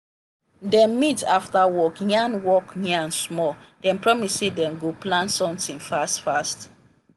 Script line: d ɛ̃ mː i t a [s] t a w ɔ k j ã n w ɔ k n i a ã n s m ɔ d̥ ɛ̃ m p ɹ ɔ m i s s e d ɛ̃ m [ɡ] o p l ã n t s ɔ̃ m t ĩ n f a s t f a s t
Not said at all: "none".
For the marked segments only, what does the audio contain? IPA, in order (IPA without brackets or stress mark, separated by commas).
f, ɡ